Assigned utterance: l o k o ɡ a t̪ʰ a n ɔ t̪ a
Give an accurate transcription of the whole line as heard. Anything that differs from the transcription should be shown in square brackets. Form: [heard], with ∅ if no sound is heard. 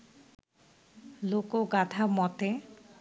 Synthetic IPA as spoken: l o k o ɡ a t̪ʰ a [m] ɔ t̪ [e]